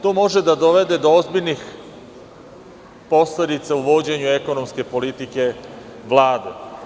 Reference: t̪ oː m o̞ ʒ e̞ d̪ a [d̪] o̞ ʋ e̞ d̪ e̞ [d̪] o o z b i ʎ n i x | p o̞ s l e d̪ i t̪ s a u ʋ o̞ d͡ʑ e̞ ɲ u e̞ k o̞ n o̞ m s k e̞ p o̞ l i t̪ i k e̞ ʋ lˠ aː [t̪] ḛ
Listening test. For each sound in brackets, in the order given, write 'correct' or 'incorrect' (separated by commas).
correct, correct, incorrect